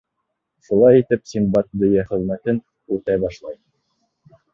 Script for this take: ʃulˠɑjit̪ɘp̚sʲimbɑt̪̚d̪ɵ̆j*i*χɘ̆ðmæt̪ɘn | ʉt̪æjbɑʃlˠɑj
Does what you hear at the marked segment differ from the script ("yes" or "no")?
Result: yes